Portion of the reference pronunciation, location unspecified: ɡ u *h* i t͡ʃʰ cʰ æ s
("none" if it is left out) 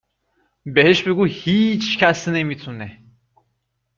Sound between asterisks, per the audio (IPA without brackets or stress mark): h